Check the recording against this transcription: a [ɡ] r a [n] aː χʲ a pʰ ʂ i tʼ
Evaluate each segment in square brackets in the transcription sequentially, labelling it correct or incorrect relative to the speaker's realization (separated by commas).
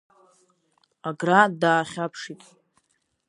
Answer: correct, incorrect